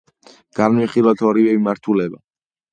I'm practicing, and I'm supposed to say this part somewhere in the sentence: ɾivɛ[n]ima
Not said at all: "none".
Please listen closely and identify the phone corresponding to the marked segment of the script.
m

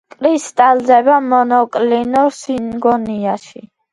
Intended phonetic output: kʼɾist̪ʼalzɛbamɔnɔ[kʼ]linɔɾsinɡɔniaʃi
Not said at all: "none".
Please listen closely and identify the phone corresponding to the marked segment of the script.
kʼ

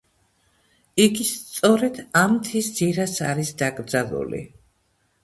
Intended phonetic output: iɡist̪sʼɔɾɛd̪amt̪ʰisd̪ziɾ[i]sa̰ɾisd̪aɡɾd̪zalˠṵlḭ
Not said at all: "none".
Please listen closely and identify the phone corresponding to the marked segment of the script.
a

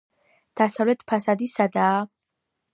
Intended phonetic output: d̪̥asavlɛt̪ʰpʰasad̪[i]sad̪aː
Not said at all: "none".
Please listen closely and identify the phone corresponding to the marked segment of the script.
i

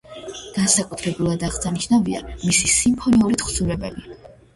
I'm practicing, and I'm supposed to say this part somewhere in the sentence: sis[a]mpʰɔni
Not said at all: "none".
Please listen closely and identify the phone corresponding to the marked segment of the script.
i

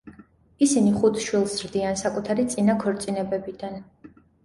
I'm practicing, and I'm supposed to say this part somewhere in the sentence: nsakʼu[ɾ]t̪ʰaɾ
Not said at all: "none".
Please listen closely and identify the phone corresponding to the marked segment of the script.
none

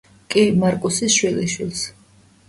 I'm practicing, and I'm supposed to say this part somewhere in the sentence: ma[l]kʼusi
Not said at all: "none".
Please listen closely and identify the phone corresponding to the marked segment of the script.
ɾ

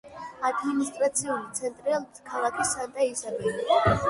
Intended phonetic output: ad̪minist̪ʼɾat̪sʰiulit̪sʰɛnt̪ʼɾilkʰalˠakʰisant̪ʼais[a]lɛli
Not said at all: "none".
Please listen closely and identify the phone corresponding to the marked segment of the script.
a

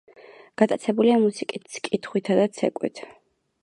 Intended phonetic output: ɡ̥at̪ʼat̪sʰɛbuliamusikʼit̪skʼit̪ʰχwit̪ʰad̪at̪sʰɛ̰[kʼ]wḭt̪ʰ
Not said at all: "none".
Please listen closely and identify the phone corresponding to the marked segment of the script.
kʼ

